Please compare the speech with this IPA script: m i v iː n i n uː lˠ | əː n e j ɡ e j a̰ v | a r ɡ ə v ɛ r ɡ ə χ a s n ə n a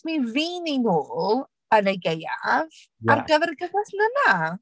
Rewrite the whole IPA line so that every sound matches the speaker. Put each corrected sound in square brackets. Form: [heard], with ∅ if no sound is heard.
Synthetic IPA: m i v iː n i n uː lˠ | [ə] n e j ɡ e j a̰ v | a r ɡ ə v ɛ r ɡ ə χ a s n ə n a